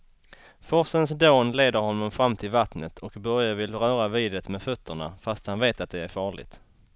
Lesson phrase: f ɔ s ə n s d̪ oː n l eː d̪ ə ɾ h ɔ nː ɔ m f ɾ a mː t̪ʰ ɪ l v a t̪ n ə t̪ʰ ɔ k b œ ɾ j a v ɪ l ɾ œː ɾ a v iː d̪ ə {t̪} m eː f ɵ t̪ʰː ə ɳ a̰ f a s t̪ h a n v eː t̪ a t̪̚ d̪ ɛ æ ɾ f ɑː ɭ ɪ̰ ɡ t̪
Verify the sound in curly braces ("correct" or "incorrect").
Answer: correct